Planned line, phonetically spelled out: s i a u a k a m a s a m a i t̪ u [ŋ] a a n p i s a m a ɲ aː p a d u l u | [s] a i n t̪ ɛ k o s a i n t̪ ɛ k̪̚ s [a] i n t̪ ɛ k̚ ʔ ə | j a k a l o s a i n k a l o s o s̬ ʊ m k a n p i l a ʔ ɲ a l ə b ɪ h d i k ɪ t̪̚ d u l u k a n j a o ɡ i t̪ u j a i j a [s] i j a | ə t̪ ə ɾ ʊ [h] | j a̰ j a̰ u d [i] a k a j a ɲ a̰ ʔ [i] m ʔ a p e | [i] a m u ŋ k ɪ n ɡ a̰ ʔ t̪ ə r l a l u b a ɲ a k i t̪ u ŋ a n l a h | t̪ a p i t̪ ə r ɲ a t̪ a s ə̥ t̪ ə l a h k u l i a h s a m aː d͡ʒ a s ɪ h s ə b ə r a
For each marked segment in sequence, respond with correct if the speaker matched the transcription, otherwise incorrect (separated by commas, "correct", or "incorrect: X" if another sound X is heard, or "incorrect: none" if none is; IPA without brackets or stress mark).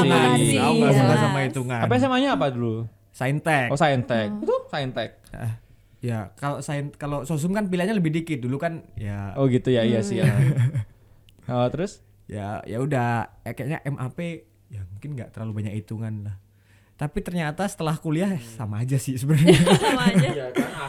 correct, correct, correct, correct, incorrect: s, incorrect: a, incorrect: ɛ, incorrect: j